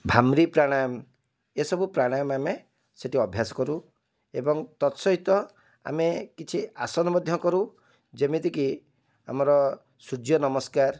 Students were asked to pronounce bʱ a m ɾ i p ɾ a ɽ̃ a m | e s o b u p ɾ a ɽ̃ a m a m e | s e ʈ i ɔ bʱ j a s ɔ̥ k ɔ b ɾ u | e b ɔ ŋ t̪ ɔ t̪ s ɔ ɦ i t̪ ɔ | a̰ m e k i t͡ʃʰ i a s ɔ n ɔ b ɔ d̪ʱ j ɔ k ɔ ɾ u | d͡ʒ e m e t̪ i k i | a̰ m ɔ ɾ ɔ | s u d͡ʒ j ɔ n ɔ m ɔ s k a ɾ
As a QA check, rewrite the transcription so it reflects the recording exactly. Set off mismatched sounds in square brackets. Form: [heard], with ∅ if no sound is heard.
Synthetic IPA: bʱ a m ɾ i p ɾ a ɽ̃ a m | e s [ɔ] b u p ɾ a ɽ̃ a m a m e | s e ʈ i ɔ bʱ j a s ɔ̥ k ɔ [∅] ɾ u | e b ɔ ŋ t̪ ɔ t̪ s ɔ ɦ i t̪ ɔ | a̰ m e k i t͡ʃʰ i a s ɔ n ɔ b ɔ d̪ʱ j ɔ k ɔ ɾ u | d͡ʒ e m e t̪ i k i | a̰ m ɔ ɾ ɔ | s u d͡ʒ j ɔ n ɔ m ɔ s k a ɾ